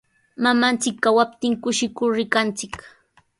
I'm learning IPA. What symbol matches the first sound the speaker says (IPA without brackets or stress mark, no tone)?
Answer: m